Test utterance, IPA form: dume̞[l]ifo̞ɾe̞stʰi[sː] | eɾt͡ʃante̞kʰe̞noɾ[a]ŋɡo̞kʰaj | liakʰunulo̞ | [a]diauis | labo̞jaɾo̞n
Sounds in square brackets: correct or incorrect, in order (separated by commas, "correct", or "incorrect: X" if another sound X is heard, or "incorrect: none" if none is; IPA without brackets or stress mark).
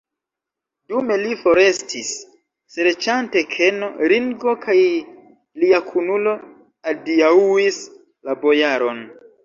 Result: correct, correct, incorrect: i, correct